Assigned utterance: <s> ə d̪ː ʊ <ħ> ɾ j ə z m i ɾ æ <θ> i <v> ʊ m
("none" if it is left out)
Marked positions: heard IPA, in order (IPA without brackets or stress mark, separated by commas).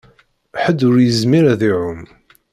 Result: ħ, none, ð, ʕ